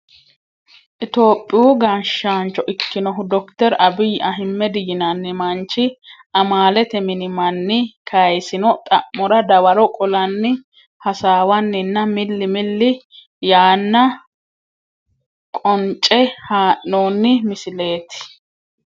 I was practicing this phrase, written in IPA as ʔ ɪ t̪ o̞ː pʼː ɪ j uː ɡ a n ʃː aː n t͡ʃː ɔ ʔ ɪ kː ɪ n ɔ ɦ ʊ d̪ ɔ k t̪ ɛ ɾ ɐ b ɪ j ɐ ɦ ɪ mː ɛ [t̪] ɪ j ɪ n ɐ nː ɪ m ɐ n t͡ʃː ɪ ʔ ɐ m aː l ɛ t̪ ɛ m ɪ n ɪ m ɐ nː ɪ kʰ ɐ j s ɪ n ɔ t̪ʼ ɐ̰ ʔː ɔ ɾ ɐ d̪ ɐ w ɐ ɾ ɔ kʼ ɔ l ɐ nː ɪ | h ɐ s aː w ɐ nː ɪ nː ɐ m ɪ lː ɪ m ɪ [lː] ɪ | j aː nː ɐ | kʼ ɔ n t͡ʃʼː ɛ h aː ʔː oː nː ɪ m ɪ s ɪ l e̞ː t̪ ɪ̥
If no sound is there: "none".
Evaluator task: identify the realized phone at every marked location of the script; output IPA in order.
d̪, lː

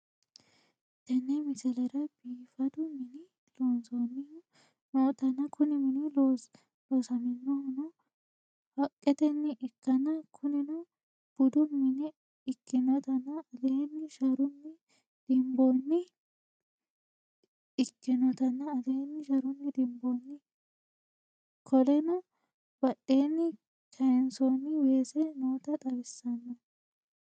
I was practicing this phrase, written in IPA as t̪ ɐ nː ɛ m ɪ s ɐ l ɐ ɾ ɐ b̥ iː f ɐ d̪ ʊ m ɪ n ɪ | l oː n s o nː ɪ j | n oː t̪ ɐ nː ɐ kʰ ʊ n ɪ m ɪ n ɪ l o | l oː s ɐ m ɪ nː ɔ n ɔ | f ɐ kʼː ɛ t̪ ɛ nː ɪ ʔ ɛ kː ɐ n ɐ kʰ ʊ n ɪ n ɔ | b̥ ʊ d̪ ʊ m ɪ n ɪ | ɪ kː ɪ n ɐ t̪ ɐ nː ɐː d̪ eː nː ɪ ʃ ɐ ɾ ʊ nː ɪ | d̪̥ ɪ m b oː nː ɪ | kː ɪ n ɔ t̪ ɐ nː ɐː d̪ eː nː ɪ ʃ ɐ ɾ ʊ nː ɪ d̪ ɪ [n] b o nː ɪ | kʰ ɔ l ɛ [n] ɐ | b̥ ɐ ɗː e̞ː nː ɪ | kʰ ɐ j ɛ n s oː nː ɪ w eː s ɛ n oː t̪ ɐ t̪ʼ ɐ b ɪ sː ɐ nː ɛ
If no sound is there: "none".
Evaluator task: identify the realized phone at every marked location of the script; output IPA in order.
m, n

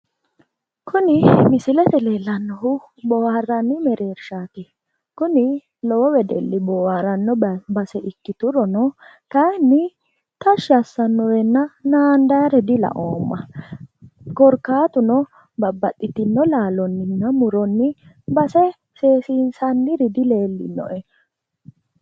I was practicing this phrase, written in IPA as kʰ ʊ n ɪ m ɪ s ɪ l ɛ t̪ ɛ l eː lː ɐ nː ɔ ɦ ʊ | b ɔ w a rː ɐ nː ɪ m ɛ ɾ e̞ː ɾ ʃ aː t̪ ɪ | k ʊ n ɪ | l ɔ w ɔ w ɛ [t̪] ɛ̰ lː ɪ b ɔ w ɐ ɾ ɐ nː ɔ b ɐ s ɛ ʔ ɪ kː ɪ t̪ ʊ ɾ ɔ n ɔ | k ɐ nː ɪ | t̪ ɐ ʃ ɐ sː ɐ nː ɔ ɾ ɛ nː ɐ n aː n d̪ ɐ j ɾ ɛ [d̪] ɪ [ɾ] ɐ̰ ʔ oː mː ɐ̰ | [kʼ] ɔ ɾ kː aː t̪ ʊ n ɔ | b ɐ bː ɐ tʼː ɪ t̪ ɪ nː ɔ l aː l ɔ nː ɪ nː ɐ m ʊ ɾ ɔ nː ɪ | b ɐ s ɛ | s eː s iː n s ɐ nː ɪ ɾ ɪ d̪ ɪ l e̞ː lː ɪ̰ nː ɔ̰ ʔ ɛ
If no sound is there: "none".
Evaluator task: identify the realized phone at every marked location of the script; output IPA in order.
d̪, d̪, l, k

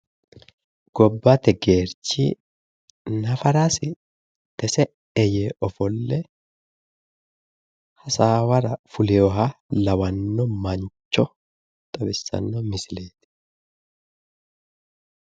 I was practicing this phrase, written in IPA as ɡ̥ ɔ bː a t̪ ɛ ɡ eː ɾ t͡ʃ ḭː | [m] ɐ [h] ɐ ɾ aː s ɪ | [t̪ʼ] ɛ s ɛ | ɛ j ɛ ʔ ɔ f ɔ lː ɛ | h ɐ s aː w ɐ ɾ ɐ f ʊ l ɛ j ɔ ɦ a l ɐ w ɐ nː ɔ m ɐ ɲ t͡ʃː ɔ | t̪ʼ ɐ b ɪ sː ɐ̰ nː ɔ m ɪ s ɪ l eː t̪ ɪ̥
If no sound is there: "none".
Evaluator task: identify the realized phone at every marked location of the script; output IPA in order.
n, f, t̪

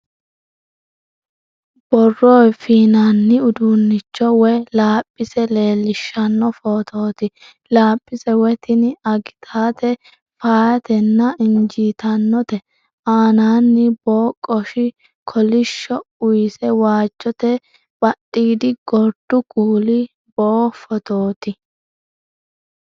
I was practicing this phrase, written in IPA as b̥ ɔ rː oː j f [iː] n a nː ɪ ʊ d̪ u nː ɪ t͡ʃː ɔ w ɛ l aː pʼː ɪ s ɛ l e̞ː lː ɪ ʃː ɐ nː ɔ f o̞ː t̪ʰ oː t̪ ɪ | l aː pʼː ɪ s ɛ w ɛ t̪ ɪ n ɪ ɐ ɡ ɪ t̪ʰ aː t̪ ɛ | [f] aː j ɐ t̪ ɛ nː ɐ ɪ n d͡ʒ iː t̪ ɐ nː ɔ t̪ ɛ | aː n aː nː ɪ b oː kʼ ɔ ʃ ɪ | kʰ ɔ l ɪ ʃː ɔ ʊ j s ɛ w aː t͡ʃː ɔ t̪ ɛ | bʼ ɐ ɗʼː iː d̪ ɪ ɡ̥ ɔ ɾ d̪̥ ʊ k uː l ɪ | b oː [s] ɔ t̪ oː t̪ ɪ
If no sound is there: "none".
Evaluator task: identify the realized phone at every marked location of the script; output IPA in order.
iː, f, f

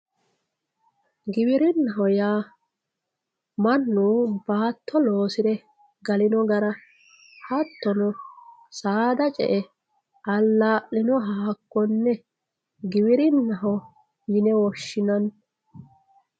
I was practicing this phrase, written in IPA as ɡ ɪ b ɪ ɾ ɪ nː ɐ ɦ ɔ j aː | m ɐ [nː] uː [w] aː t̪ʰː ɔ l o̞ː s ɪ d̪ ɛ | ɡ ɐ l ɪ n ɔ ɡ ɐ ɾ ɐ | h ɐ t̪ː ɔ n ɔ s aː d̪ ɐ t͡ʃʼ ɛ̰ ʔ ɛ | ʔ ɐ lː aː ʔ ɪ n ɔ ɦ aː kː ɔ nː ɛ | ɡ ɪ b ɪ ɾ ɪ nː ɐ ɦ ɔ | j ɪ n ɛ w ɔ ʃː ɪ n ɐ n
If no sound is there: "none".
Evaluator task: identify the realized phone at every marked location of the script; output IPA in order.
nː, b

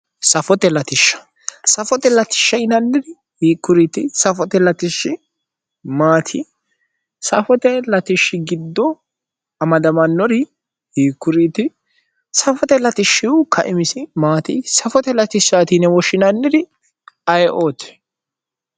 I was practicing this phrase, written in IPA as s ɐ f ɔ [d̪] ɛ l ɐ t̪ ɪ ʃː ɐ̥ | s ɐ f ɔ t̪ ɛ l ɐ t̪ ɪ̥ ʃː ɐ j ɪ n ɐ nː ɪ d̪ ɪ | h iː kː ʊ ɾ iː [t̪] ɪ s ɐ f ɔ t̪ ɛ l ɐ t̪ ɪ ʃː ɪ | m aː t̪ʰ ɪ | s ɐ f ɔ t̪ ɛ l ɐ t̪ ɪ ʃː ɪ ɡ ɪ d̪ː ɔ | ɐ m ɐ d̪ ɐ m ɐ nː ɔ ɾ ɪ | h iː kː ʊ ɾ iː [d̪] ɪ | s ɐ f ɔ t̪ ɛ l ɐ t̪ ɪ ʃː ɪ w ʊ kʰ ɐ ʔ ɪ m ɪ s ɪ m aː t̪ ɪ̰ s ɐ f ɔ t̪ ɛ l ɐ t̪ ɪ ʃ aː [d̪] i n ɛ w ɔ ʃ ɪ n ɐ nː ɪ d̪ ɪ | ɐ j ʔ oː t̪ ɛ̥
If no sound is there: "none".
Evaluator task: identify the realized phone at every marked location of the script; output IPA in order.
t̪, t̪, t̪, t̪

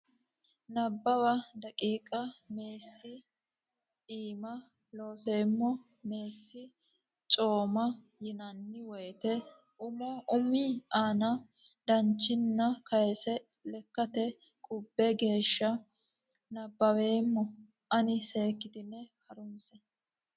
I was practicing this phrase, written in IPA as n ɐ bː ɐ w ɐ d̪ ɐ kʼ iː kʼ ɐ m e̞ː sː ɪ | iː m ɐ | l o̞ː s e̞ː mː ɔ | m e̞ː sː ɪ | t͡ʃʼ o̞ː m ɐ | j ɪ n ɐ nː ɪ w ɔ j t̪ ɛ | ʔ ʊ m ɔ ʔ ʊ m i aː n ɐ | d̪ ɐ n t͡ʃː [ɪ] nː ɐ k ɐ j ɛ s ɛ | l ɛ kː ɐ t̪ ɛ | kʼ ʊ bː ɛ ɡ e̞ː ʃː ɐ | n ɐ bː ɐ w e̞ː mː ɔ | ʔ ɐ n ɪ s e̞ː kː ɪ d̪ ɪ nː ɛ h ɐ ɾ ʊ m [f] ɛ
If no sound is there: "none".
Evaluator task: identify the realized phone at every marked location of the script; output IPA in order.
ɪ, s

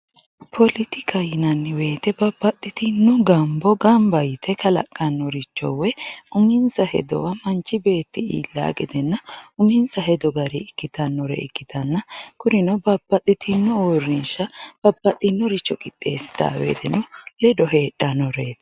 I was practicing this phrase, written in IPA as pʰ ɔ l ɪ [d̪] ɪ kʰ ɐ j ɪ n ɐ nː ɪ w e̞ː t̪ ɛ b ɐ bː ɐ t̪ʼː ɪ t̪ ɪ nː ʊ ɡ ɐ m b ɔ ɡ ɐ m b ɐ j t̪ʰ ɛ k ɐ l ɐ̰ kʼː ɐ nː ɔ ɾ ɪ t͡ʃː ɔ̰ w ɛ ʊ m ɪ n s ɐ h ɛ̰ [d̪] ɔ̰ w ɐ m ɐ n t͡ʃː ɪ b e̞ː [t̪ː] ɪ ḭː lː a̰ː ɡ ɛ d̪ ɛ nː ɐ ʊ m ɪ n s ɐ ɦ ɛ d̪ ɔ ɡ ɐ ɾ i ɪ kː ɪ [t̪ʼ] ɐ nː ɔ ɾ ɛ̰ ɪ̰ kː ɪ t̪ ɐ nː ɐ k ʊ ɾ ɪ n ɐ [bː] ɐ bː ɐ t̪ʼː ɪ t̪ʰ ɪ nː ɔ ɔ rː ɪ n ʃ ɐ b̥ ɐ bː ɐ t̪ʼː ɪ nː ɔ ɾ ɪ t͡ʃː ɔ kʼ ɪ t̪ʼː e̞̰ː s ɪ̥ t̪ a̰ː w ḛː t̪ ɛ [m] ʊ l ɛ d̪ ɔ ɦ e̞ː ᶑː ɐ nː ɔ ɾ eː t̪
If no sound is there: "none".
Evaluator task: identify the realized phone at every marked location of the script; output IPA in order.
t̪, d̪, t̪ː, t̪, b, n

